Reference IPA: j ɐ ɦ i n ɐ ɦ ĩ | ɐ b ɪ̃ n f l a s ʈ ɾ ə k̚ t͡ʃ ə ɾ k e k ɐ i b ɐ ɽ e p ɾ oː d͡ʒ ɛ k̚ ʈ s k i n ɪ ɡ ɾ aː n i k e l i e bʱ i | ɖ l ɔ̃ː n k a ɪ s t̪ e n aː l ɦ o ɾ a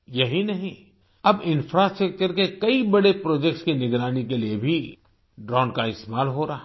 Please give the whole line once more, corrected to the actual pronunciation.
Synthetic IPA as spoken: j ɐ ɦ i n ɐ ɦ ĩ | ɐ b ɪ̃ n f ɾ a s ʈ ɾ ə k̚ t͡ʃ ə ɾ k e k ɐ i b ɐ ɽ e p ɾ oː d͡ʒ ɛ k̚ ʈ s k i n ɪ ɡ ɾ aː n i k e l i e bʱ i | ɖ ɾ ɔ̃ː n k a ɪ s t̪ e m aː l ɦ o ɾ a